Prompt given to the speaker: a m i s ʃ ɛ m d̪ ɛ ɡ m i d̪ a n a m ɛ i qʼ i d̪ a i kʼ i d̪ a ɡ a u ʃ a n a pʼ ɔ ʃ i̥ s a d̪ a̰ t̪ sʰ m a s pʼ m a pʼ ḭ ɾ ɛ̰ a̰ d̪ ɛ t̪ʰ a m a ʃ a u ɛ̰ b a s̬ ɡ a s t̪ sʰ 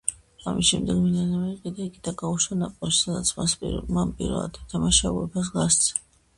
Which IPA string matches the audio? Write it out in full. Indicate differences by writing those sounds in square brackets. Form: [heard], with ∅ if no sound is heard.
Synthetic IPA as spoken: a m i s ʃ ɛ m d̪ ɛ ɡ m i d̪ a n a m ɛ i qʼ i d̪ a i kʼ i d̪ a ɡ a u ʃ a n a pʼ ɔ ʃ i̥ s a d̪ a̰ t̪ sʰ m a s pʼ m a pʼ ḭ ɾ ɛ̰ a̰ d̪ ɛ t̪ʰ a m a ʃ a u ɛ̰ b a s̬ ɡ a s t̪ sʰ